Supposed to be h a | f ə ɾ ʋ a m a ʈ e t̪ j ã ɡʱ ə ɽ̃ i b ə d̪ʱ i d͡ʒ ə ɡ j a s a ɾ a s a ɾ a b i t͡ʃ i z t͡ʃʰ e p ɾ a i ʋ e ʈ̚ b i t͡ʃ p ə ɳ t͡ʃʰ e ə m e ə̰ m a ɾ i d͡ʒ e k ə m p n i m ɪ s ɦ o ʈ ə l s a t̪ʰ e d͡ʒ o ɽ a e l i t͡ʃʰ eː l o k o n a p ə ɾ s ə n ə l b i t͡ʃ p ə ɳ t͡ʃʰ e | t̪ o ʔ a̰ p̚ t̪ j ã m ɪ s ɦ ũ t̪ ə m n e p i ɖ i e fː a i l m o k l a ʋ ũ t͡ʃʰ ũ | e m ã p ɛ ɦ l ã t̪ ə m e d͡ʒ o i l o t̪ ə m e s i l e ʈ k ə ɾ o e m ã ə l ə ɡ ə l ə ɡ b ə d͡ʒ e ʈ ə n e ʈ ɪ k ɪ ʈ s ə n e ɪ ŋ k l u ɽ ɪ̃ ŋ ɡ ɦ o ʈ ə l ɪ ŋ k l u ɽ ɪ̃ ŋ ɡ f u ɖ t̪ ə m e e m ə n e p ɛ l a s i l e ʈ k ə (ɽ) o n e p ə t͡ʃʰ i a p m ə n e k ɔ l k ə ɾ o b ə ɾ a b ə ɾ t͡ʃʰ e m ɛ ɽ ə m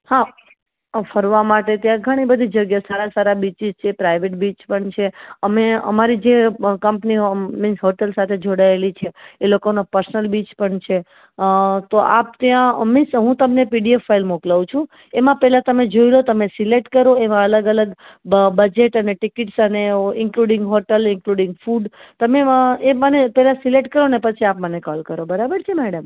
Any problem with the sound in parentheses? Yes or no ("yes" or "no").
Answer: yes